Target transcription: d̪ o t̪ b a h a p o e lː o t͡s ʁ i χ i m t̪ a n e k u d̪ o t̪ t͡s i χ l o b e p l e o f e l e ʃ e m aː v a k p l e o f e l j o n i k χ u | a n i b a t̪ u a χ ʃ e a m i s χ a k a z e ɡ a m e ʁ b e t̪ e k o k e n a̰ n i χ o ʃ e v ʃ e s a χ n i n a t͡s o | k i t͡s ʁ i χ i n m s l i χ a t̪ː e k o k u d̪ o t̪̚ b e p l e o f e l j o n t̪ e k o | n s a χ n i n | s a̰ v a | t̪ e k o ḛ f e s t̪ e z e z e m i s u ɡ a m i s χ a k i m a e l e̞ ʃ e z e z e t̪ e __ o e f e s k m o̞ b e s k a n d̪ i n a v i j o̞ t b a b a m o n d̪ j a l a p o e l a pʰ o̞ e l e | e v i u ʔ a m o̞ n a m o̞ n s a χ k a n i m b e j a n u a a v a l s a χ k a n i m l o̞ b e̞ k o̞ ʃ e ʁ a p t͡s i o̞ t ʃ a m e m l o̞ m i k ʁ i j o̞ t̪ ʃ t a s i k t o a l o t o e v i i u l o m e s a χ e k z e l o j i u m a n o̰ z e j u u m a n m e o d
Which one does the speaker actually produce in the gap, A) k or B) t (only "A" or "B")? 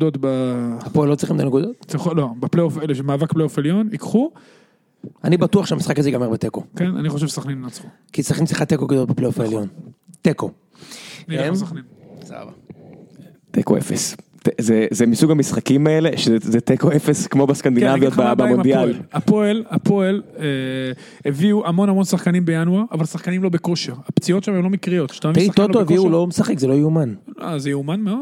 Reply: A